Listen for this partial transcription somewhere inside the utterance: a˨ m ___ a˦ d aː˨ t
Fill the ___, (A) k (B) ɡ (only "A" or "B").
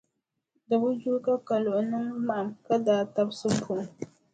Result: A